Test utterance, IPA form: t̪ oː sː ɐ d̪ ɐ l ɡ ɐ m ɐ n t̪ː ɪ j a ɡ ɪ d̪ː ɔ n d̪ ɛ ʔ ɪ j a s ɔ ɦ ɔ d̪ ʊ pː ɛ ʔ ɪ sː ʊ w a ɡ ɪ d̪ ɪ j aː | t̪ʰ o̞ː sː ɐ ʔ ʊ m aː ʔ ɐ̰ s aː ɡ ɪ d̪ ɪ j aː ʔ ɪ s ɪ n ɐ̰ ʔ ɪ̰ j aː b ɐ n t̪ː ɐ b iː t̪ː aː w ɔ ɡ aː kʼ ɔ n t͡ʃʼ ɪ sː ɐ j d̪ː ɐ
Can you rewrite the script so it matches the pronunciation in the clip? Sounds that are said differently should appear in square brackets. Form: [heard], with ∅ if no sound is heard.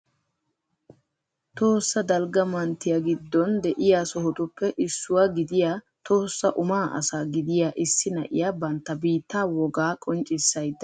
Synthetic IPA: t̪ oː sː ɐ d̪ ɐ l ɡ ɐ m ɐ n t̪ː ɪ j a ɡ ɪ d̪ː ɔ n d̪ ɛ ʔ ɪ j a s ɔ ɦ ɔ [t̪] ʊ pː ɛ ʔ ɪ sː ʊ w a ɡ ɪ d̪ ɪ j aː | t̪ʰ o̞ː sː ɐ ʔ ʊ m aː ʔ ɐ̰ s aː ɡ ɪ d̪ ɪ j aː ʔ ɪ [sː] ɪ n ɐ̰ ʔ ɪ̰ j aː b ɐ n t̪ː ɐ b iː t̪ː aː w ɔ ɡ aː kʼ ɔ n t͡ʃʼ ɪ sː ɐ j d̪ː ɐ